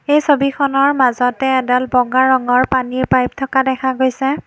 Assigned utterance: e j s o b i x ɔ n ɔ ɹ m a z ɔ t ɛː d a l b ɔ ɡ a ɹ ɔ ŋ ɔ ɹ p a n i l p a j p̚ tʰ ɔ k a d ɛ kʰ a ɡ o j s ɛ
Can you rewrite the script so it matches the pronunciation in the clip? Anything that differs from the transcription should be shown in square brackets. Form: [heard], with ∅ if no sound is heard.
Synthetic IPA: e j s o b i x ɔ n ɔ ɹ m a z ɔ t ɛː d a l b ɔ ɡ a ɹ ɔ ŋ ɔ ɹ p a n i [ɹ] p a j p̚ tʰ ɔ k a d ɛ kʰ a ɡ o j s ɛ